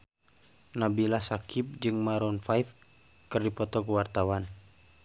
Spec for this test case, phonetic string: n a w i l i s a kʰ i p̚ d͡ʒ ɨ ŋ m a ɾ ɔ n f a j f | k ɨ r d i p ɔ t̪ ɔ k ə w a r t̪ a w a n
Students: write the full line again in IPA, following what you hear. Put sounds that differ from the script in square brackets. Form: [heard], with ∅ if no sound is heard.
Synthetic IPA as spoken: n a [b] i l [a] s a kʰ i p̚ d͡ʒ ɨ ŋ m a ɾ ɔ n f a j f | k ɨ r d i p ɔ t̪ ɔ k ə w a r t̪ a w a n

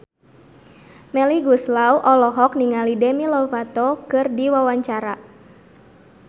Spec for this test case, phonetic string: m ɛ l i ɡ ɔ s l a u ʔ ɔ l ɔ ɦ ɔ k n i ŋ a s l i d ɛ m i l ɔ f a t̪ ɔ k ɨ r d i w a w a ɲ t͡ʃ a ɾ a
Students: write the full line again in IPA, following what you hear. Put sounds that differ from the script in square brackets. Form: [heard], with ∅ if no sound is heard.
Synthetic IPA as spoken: m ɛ l i ɡ [u] s l a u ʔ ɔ l ɔ ɦ ɔ k n i ŋ a [∅] l i d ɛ m i l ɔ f a t̪ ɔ k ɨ r d i w a w a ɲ t͡ʃ a ɾ a

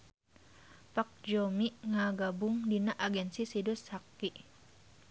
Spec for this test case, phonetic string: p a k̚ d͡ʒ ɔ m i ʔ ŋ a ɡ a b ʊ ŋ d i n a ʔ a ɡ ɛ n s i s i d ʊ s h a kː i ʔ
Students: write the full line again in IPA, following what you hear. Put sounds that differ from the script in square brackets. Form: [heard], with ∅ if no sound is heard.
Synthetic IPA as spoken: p a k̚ d͡ʒ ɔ m i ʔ ŋ a ɡ a b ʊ ŋ d i n a ʔ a ɡ ɛ n s i s i d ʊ s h a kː i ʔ

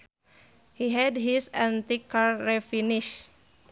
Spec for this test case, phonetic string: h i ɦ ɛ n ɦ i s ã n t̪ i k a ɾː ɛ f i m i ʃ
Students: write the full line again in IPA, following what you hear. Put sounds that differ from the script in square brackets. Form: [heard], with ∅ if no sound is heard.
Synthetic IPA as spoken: h i ɦ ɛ [d] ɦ i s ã n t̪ i k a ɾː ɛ f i [n] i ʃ

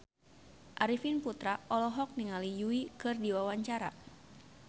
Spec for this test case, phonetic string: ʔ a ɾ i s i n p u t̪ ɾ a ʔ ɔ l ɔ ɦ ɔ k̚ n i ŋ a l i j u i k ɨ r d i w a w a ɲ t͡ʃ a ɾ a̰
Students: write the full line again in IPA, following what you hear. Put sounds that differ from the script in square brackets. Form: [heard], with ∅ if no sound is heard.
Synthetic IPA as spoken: ʔ a ɾ i [f] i n p u t̪ ɾ a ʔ ɔ l ɔ ɦ ɔ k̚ n i ŋ a l i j u i k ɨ r d i w a w a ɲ t͡ʃ a ɾ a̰

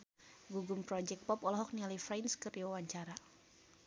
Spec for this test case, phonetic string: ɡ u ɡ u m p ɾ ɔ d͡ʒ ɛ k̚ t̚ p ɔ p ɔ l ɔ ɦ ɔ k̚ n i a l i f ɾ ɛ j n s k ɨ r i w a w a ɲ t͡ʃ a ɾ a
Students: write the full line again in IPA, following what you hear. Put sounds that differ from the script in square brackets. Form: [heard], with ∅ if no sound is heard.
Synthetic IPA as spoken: ɡ u ɡ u m p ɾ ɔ d͡ʒ ɛ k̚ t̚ p ɔ p ɔ l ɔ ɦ ɔ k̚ n i a l i f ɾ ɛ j n s k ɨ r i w a w a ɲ t͡ʃ a ɾ a

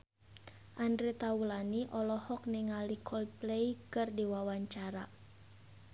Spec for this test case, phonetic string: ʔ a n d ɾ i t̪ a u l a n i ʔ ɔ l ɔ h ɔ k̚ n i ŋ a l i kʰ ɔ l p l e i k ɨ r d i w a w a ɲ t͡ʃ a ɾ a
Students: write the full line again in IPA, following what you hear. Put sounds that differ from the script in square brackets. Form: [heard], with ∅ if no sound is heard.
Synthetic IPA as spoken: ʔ a n d ɾ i t̪ a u l a n i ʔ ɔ l ɔ h ɔ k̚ n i ŋ a l i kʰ ɔ l p l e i k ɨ r d i w a w a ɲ t͡ʃ a ɾ a

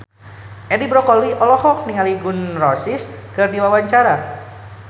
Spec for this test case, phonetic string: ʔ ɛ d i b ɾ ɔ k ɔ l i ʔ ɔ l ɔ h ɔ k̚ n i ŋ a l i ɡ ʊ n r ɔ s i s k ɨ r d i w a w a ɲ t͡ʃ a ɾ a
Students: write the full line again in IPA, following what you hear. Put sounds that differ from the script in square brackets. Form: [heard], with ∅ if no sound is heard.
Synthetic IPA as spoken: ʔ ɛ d i b ɾ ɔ k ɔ l i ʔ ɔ l ɔ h ɔ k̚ n i ŋ a l i ɡ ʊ n r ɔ s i s k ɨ r d i w a w a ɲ t͡ʃ a ɾ a

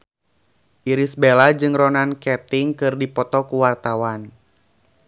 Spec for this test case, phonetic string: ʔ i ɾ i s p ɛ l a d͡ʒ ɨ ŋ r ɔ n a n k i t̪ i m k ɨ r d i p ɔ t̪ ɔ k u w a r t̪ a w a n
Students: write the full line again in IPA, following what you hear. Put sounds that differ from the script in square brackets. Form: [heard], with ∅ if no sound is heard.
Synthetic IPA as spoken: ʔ i ɾ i s [b] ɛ l a d͡ʒ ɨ ŋ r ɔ n a n k [ɛ] t̪ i [ŋ] k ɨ r d i p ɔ t̪ ɔ k u w a r t̪ a w a n

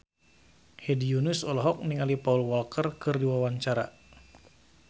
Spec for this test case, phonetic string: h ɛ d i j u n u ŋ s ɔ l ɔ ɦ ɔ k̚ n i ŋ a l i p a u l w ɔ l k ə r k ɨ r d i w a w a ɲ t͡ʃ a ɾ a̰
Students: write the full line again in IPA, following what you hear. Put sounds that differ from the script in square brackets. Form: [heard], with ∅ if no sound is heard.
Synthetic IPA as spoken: h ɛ d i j u n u [∅] s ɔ l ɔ ɦ ɔ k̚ n i ŋ a l i p a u l w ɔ l k ə r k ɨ r d i w a w a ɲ t͡ʃ a ɾ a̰

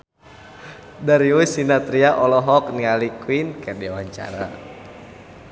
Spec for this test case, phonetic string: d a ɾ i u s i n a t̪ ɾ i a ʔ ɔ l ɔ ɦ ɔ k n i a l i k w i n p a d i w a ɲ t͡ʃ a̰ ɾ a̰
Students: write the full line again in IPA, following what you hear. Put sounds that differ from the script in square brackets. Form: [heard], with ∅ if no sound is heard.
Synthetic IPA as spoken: d a ɾ i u s i n a t̪ ɾ i a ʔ ɔ l ɔ ɦ ɔ k n i a l i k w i n [k] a d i w a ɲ t͡ʃ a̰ ɾ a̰

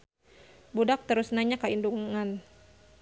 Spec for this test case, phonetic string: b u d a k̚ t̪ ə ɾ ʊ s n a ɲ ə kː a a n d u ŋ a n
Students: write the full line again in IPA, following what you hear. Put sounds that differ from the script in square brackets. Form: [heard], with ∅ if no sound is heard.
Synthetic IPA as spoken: b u d a k̚ t̪ ə ɾ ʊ s n a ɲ [a] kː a [i] n d u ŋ a n

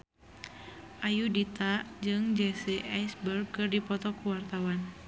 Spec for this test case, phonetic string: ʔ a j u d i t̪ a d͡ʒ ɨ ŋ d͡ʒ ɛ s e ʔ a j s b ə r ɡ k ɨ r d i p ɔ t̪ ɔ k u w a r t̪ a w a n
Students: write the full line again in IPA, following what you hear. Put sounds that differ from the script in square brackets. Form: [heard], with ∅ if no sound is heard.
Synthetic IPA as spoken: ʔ a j u d i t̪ a d͡ʒ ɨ ŋ d͡ʒ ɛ s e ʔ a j s b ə r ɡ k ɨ r d i p ɔ t̪ ɔ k u w a r t̪ a w a n

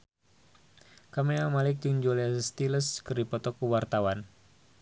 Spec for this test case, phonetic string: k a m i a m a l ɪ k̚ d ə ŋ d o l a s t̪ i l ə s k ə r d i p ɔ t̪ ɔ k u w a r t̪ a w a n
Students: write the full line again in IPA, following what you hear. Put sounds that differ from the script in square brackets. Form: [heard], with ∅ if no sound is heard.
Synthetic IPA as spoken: k a m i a m a l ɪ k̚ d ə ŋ [d͡ʒ] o l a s t̪ i l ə s k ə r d i p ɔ t̪ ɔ k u w a r t̪ a w a n

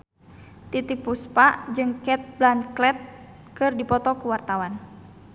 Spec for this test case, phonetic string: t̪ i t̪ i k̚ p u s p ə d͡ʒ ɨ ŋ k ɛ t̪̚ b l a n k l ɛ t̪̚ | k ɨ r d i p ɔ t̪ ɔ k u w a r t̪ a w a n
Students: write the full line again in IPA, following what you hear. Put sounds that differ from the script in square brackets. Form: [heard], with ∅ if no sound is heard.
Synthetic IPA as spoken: t̪ i t̪ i k̚ p u s p [a] d͡ʒ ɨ ŋ k ɛ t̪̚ b l a n k l ɛ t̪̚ | k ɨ r d i p ɔ t̪ ɔ k u w a r t̪ a w a n

